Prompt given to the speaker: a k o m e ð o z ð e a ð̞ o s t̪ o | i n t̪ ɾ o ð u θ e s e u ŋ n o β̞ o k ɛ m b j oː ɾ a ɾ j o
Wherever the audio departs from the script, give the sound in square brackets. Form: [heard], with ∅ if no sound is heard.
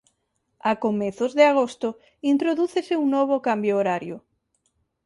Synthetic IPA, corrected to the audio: a k o m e [θ] o z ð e a [ɣ̞] o s t̪ o | i n t̪ ɾ o ð u θ e s e u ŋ n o β̞ o k [a] m b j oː ɾ a ɾ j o